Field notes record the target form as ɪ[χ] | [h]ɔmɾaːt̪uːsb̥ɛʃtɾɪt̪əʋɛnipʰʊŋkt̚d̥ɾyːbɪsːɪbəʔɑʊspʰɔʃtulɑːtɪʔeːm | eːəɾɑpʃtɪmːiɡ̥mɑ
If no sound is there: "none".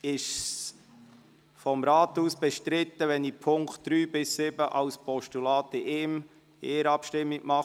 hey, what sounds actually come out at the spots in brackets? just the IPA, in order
ʃ, f

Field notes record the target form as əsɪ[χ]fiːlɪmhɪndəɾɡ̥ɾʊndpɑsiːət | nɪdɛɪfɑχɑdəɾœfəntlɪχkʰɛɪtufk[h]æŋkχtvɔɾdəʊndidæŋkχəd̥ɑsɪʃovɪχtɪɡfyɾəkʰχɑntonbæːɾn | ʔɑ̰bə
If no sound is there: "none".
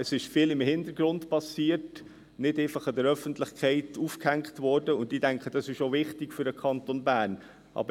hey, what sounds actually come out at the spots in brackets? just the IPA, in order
ʃ, h

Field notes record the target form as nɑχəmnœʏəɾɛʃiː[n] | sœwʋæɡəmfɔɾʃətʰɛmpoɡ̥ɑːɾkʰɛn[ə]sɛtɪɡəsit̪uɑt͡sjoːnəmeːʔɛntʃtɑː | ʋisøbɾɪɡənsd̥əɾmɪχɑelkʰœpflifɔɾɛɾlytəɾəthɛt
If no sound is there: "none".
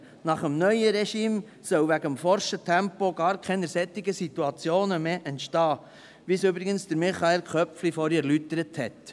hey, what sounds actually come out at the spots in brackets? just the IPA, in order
m, ə

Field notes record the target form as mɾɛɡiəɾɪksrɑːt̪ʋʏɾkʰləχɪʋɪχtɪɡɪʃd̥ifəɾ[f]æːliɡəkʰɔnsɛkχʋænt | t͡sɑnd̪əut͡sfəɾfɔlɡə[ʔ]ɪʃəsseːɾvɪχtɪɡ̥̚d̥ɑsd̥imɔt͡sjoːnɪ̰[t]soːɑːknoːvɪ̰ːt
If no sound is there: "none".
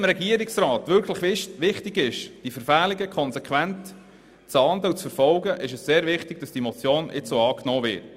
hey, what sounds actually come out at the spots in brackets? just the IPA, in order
f, ʔ, t͡s

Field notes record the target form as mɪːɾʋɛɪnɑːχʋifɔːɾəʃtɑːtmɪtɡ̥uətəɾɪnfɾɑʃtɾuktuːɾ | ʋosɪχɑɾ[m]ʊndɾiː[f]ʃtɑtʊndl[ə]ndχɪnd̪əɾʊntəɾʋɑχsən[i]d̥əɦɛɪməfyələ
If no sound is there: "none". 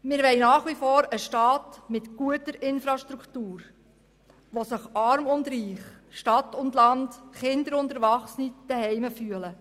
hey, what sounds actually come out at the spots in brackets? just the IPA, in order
m, χ, ɑ, i

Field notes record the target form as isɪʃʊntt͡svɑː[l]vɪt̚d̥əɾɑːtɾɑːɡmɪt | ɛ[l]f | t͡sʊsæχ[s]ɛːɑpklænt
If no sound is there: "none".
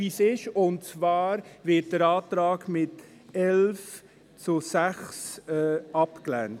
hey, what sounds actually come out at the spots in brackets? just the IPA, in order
ɾ, l, s

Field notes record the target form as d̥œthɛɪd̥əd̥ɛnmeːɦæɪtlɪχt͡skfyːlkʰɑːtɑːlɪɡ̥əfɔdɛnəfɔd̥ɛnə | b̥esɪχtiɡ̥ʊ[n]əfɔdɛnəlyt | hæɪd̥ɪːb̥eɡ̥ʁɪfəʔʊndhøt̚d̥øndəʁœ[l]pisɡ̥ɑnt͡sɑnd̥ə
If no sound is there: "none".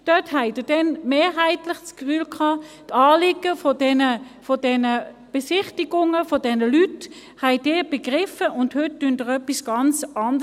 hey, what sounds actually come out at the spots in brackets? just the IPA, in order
ŋ, none

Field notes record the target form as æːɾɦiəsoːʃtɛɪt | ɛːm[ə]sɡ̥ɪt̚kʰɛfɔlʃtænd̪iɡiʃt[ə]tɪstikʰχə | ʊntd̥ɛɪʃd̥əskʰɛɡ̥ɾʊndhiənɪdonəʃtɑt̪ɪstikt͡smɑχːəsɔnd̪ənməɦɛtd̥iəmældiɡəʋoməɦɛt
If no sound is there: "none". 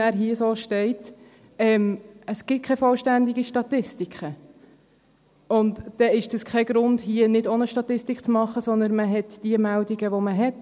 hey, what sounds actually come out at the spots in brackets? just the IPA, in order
ə, ɑ

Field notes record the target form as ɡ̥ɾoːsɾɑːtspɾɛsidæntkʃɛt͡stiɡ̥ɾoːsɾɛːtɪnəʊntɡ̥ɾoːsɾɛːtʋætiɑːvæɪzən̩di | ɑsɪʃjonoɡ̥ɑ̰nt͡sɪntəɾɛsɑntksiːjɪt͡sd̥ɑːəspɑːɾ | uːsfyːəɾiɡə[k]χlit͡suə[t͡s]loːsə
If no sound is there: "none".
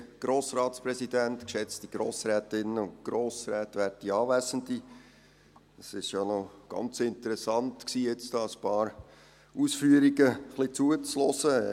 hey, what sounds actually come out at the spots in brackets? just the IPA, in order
none, t͡s

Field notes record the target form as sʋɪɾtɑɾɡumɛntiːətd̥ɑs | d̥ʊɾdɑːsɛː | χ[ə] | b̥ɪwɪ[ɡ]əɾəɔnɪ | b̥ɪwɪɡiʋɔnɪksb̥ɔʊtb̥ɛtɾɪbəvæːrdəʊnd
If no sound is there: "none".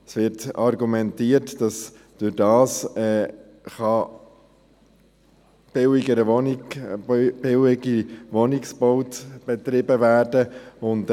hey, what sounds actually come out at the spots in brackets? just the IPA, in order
ɑ, ɡ

